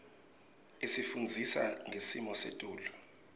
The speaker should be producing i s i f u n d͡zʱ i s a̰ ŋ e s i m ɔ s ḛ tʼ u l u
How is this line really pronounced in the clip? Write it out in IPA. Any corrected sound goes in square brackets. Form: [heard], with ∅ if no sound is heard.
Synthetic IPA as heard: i s i f u n d͡zʱ i s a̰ ŋ e s i m ɔ s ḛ tʼ [uː] l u